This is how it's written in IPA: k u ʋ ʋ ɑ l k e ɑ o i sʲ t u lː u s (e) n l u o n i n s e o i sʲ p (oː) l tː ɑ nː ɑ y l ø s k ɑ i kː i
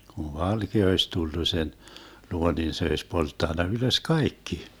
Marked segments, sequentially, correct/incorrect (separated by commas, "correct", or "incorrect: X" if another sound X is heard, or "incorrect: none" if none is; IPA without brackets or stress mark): correct, incorrect: o